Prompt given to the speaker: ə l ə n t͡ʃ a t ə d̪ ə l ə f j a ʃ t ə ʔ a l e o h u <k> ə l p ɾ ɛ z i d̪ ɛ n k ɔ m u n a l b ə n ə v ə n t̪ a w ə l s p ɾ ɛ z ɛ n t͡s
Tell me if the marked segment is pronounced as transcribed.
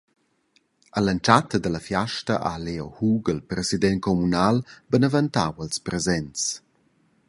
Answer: no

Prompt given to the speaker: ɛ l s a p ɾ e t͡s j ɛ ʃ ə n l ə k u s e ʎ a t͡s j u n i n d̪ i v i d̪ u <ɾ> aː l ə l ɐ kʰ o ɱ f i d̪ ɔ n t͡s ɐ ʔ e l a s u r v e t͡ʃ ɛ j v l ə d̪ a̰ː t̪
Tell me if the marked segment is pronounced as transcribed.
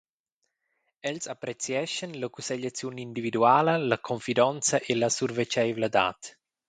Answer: no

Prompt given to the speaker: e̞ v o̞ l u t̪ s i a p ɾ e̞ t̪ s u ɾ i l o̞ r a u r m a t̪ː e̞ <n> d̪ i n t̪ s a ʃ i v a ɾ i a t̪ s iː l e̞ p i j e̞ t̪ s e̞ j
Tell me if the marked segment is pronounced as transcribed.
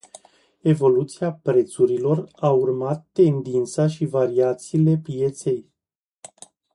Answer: yes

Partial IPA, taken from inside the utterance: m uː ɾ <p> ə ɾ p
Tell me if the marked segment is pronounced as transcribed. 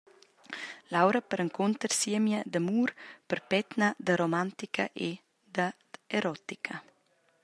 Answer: yes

